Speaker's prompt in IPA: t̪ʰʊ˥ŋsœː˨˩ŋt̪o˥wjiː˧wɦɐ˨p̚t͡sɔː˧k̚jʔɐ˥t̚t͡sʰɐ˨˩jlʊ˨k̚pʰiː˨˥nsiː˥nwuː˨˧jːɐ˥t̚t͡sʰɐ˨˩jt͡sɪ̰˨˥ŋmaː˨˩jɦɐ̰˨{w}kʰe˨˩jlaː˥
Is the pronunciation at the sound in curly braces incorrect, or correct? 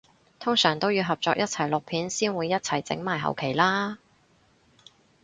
correct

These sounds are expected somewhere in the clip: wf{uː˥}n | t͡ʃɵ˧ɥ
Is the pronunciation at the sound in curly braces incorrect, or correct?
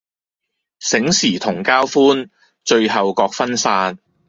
correct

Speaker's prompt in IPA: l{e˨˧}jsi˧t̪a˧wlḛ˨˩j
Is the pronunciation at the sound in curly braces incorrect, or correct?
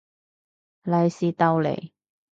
incorrect: a˨˧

